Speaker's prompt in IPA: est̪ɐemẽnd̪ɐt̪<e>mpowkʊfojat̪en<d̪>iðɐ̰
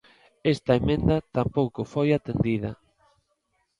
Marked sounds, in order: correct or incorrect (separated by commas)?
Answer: incorrect, correct